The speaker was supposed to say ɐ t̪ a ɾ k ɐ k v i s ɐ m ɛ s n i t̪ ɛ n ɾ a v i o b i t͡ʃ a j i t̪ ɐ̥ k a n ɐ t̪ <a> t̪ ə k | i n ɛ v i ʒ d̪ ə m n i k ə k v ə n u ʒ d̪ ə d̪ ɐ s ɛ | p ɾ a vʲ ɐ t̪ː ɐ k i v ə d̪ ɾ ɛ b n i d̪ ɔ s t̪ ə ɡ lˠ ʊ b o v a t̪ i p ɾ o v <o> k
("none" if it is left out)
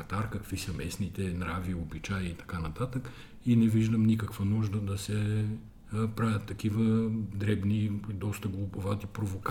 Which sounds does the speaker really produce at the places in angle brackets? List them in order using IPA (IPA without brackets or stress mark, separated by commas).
a, o